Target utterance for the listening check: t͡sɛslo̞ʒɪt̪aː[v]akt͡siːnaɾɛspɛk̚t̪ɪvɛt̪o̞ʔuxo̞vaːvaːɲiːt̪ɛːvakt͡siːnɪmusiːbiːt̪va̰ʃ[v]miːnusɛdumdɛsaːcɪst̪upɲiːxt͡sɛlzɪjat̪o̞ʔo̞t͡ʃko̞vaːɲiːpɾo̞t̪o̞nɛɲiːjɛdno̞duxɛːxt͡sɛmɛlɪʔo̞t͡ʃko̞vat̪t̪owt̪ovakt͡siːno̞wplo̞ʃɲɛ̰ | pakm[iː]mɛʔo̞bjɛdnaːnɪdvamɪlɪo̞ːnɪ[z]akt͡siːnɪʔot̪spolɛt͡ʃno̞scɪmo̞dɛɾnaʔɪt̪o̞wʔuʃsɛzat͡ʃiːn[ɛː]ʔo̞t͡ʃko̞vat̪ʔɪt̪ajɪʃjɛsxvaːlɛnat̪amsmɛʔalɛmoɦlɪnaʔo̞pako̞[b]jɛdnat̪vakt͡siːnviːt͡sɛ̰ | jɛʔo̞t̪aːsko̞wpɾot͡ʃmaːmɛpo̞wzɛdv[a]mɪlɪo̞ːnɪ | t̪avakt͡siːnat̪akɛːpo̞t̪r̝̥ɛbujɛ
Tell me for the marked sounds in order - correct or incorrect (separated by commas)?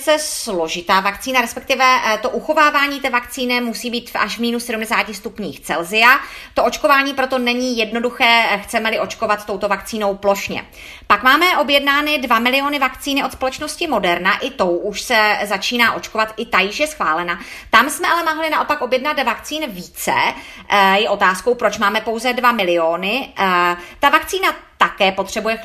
correct, correct, incorrect, incorrect, incorrect, correct, correct